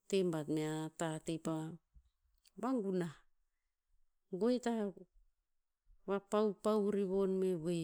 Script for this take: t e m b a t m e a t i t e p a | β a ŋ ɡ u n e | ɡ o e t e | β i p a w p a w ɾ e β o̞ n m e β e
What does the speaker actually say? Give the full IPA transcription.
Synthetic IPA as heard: t e m b a t m e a t a t e p a | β a ŋ ɡ u n a | ɡ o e t a | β a p a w p a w ɾ i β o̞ n m e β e